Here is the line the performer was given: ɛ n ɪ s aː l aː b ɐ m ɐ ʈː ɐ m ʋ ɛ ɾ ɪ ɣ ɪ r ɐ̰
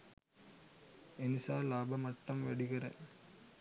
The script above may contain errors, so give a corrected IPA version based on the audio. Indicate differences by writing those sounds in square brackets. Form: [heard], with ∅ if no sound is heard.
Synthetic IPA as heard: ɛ n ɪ s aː l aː b ɐ m ɐ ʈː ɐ m ʋ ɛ [ɽ] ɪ ɣ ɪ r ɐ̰